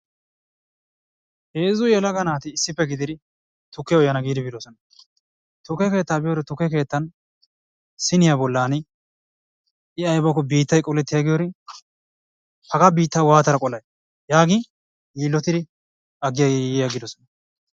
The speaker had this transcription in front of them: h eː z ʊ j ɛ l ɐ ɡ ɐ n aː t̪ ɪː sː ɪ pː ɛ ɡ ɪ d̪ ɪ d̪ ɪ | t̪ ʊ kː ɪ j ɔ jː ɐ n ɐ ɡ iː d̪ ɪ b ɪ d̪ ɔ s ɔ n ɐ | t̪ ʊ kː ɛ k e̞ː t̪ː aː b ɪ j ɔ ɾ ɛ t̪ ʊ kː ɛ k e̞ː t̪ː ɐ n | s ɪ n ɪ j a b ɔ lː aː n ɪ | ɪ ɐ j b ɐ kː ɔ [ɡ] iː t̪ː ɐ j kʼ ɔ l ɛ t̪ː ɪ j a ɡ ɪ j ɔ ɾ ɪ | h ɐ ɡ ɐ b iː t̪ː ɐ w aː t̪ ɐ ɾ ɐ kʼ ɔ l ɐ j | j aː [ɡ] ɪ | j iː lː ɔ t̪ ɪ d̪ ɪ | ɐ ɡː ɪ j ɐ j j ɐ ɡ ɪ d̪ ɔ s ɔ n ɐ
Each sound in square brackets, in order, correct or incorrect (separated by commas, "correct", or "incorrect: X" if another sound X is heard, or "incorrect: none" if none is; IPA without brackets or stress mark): incorrect: b, correct